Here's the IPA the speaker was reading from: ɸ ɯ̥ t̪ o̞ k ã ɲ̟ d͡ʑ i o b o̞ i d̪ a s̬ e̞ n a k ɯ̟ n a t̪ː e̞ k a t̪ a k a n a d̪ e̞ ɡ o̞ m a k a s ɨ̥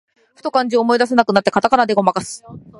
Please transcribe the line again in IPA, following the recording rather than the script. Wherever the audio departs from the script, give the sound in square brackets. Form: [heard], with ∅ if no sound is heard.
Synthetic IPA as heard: ɸ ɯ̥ t̪ o̞ k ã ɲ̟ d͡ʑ i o [m] o̞ i d̪ a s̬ e̞ n a k ɯ̟ n a t̪ː e̞ k a t̪ a k a n a d̪ e̞ ɡ o̞ m a k a s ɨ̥

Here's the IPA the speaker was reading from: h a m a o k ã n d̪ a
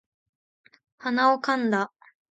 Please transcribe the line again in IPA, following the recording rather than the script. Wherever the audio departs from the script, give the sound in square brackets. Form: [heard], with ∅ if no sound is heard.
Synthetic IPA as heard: h a [n] a o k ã n d̪ a

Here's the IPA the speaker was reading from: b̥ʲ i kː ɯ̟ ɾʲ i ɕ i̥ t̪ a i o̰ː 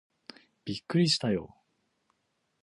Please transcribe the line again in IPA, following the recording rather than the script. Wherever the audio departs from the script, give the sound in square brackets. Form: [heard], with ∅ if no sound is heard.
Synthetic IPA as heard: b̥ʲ i kː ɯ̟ ɾʲ i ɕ i̥ t̪ a [j] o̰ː

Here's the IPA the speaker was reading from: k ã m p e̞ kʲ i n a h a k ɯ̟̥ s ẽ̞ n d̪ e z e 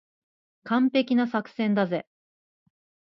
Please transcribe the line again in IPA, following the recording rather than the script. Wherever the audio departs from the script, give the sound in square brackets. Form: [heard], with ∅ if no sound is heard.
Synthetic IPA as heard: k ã m p e̞ kʲ i n a [s] a k ɯ̟̥ s ẽ̞ n d̪ [a] z e

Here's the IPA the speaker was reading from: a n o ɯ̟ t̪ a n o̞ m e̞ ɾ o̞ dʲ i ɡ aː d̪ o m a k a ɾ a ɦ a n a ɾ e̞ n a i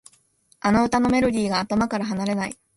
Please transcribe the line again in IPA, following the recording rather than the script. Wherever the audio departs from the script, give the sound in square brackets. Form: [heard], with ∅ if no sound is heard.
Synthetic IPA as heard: a n o ɯ̟ t̪ a n o̞ m e̞ ɾ o̞ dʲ [iː] ɡ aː [t̪] o m a k a ɾ a ɦ a n a ɾ e̞ n a i

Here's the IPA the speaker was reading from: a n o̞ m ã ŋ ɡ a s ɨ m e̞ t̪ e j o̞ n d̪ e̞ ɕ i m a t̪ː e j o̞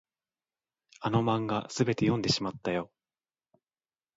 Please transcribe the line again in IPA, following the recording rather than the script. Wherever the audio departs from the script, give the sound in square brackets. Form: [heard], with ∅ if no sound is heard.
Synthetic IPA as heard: a n o̞ m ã ŋ ɡ a s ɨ [b] e̞ t̪ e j [õ̞] n d̪ e̞ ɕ i m a t̪ː [a] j o̞

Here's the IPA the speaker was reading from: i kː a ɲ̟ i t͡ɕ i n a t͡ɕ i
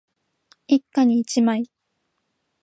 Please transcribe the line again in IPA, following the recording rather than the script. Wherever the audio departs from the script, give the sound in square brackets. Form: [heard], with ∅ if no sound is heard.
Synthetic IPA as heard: i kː a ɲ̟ [iː] t͡ɕ i [m] a [∅] i

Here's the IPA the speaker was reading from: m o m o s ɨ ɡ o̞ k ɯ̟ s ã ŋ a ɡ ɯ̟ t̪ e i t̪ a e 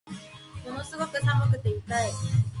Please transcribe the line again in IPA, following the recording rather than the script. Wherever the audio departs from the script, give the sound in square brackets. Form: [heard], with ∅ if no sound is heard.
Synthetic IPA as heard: m o [n] o s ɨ ɡ o̞ k ɯ̟ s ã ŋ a [k] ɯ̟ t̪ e i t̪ a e

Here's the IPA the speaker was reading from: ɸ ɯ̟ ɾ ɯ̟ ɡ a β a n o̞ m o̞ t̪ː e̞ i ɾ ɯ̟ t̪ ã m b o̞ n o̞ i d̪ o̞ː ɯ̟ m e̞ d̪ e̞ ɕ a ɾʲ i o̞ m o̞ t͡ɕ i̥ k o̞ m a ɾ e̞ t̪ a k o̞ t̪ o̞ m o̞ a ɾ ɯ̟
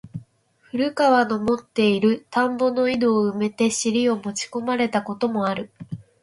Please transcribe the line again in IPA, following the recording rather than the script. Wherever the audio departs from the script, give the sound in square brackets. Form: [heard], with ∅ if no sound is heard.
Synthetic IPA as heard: ɸ ɯ̟ ɾ ɯ̟ [k] a β a n o̞ m o̞ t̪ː e̞ i ɾ ɯ̟ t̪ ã m b o̞ n o̞ i d̪ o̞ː ɯ̟ m e̞ [t̪] e̞ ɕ [i] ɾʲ i o̞ m o̞ t͡ɕ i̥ k o̞ m a ɾ e̞ t̪ a k o̞ t̪ o̞ m o̞ a ɾ ɯ̟

